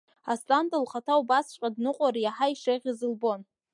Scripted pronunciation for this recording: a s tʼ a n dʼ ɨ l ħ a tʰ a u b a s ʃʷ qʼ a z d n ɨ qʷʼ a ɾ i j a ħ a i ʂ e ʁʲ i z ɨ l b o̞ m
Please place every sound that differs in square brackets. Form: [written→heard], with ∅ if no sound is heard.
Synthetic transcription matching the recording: a s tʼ a n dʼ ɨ l [ħ→χ] a tʰ a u b a s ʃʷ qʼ a [z→∅] d n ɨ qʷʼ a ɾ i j a ħ a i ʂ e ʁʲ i z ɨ l b o̞ [m→n]